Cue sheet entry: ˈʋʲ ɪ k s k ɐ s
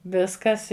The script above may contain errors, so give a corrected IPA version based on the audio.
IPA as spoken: ˈʋʲ ɪ s k ɐ s